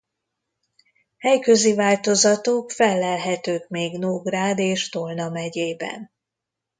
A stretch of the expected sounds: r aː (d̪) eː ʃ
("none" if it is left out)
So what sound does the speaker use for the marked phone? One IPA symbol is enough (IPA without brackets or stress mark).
d̪